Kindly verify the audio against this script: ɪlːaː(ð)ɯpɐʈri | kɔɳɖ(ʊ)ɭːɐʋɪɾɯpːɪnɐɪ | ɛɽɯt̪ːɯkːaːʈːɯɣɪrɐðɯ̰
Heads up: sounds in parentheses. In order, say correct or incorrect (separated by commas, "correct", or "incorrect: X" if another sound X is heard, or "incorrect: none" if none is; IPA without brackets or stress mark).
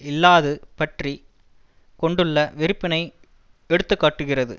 correct, incorrect: ɯ